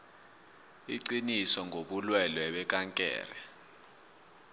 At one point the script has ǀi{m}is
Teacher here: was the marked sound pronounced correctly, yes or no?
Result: no